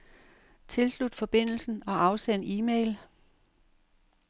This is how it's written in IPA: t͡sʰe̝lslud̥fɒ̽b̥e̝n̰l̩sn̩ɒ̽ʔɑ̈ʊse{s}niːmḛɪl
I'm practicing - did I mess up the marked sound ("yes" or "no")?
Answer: yes